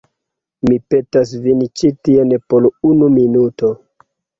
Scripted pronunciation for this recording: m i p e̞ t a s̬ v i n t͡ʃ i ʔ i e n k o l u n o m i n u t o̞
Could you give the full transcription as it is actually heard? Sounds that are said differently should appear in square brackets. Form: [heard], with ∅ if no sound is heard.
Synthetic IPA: m i p e̞ t a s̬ v i n t͡ʃ i [t] i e n [p] o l u n [u] m i n u t o̞